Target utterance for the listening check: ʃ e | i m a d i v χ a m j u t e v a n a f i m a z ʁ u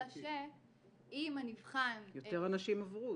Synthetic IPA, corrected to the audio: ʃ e | i m a n i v χ a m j o t e ʁ a n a ʃ i m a v ʁ u